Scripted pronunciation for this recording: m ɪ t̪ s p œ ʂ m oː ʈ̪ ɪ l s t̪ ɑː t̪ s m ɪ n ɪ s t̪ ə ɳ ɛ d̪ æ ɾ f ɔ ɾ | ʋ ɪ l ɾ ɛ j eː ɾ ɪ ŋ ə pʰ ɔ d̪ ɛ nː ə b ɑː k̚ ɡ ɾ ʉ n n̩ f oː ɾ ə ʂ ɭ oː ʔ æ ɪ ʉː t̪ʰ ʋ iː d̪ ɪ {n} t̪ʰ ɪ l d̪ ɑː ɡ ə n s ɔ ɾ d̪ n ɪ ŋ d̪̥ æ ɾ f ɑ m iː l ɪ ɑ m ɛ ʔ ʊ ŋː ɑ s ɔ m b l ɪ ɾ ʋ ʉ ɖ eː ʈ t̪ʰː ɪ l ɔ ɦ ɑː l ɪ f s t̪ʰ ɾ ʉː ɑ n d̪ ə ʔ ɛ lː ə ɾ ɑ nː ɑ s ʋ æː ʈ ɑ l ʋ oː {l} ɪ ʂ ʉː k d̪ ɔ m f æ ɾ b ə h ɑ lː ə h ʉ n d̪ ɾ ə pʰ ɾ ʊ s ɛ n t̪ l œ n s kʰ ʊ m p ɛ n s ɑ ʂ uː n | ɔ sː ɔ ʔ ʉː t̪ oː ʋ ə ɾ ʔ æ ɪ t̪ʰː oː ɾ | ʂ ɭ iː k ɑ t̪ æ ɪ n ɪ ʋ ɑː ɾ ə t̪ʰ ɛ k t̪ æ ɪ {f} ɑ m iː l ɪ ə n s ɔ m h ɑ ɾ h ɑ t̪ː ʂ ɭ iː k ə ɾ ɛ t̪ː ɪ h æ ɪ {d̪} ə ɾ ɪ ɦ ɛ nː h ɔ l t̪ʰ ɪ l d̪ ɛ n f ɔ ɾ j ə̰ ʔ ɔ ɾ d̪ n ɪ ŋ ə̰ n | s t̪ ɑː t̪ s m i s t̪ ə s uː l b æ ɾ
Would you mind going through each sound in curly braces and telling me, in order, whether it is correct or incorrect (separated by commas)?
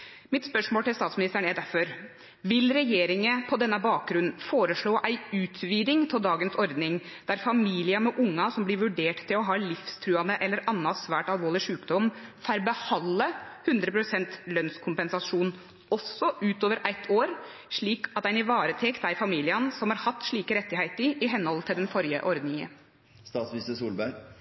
incorrect, correct, correct, incorrect